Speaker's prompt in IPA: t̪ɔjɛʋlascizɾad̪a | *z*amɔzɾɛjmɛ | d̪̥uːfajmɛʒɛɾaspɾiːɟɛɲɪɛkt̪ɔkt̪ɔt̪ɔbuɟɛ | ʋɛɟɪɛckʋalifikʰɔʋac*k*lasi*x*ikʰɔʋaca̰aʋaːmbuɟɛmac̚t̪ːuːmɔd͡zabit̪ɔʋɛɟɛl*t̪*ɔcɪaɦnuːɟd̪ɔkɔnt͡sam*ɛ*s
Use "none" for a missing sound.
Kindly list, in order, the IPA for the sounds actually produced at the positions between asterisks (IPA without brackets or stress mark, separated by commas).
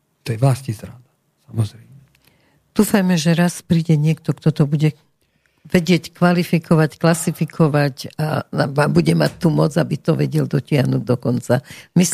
s, k, f, d̪, i